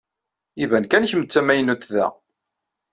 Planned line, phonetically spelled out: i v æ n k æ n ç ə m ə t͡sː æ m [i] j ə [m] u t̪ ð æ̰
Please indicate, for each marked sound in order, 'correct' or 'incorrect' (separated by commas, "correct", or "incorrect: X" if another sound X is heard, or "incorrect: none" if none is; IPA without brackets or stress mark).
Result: incorrect: æ, incorrect: n